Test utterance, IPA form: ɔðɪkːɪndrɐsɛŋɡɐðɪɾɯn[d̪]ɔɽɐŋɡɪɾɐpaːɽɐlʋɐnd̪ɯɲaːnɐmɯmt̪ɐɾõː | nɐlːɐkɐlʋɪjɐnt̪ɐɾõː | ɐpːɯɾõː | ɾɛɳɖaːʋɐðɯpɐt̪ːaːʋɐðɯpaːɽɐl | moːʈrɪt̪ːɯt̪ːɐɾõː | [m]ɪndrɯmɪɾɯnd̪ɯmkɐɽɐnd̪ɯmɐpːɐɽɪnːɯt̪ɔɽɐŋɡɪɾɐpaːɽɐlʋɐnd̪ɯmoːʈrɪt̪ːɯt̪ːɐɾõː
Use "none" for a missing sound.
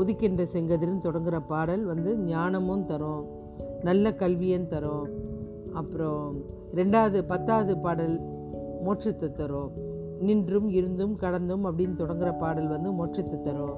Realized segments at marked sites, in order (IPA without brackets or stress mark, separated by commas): t̪, n